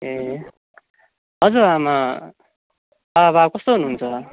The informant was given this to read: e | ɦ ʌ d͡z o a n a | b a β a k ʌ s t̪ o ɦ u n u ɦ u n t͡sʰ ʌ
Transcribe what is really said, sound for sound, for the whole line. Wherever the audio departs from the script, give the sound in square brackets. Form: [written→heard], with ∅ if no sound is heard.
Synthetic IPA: e | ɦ ʌ d͡z [o→u] a [n→m] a | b a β a k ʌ s t̪ o ɦ u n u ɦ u n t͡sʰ ʌ